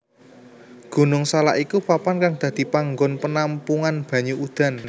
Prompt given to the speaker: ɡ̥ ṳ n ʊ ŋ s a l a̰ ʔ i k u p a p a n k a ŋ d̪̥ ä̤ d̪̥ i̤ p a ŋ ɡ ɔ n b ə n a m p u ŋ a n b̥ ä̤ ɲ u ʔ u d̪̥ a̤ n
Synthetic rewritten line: ɡ̥ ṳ n ʊ ŋ s a l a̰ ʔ i k u p a p a n k a ŋ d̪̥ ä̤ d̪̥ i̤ p a ŋ ɡ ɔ n p ə n a m p u ŋ a n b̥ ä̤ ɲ u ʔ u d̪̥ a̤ n